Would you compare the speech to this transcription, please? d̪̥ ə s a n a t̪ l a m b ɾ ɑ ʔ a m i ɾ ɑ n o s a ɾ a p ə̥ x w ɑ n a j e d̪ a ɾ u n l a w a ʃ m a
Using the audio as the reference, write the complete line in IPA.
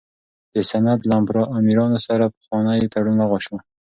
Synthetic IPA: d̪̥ ə s a n a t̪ l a m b ɾ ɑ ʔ a m i ɾ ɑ n o s a ɾ a p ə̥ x w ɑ n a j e t̪ a ɽ u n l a ɣ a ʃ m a